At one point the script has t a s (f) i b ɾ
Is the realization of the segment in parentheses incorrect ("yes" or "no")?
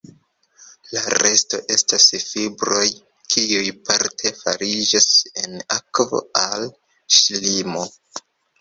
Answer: no